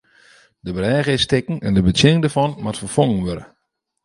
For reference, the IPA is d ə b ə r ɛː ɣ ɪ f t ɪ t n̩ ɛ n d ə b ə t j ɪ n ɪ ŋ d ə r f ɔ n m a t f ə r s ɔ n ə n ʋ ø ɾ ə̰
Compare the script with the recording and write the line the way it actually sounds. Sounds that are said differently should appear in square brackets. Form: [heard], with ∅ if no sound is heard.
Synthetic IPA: d ə b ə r ɛː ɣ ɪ [s] t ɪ [k] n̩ ɛ n d ə b ə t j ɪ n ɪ ŋ d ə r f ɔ n m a t f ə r [f] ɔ [ŋ] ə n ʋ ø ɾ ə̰